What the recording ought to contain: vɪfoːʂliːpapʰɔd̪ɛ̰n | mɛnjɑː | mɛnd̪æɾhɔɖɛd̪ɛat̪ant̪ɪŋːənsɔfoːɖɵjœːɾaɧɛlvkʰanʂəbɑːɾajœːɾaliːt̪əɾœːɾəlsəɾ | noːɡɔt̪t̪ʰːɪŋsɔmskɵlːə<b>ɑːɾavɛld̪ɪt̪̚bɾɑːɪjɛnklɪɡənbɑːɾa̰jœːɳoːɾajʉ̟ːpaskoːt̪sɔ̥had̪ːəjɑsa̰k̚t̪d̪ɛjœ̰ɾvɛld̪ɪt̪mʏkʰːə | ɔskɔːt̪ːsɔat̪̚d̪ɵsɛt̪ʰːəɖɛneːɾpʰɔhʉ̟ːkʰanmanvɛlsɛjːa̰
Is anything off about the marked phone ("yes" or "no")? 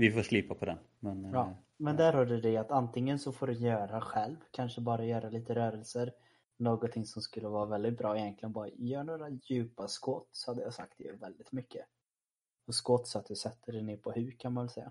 yes